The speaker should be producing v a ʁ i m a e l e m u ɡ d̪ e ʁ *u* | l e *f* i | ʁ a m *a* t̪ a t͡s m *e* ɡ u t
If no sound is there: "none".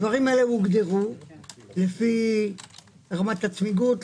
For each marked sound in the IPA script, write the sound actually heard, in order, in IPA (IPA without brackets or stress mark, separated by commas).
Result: u, f, a, i